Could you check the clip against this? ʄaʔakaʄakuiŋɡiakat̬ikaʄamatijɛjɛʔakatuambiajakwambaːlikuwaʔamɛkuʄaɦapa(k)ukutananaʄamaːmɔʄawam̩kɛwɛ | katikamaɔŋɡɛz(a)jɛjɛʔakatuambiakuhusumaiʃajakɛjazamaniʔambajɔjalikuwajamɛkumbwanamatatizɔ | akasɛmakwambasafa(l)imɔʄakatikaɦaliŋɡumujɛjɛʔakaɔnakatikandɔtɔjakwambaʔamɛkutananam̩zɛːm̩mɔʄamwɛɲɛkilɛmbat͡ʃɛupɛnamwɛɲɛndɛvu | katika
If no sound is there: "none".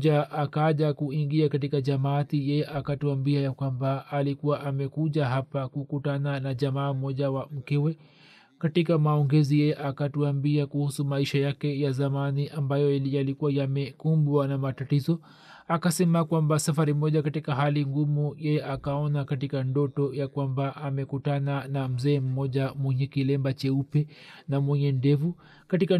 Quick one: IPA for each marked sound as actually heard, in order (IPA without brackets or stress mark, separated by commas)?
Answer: k, i, ɾ